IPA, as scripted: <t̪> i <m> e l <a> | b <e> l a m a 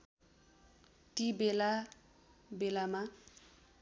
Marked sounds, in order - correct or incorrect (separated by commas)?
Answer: correct, incorrect, correct, correct